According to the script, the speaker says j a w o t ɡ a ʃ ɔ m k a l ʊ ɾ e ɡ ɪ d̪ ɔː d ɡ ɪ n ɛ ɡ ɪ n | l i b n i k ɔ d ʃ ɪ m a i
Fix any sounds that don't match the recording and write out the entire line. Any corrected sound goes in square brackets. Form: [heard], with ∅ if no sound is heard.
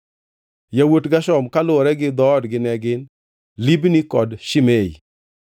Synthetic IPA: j a w o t ɡ a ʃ ɔ m k a l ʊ ɾ [ɛ] ɡ ɪ d̪ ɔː d ɡ ɪ n ɛ ɡ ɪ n | l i b n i k ɔ d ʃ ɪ m [e] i